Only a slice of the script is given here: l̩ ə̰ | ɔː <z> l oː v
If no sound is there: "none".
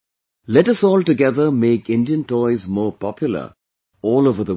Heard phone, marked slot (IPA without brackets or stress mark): none